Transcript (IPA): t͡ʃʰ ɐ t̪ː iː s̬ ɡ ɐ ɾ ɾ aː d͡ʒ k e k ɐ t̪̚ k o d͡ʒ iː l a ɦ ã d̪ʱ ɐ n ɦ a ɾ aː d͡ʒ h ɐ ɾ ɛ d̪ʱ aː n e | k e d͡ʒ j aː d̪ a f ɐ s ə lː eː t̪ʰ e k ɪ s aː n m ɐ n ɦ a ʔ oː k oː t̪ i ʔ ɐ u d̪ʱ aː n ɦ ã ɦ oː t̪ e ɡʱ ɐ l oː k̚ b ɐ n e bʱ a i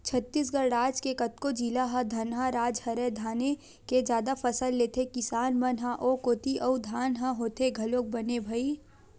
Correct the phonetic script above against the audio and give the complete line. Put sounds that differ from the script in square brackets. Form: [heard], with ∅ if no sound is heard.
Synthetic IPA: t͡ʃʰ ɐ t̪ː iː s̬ ɡ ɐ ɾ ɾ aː d͡ʒ k e k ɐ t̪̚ k o d͡ʒ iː l a ɦ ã d̪ʱ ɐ n ɦ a ɾ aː d͡ʒ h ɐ ɾ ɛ d̪ʱ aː n e | k e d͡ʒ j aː d̪ a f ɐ s ə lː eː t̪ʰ e k ɪ s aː n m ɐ n ɦ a ʔ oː k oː t̪ i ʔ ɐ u d̪ʱ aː n ɦ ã ɦ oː t̪ e ɡʱ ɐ l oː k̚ b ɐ n e bʱ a i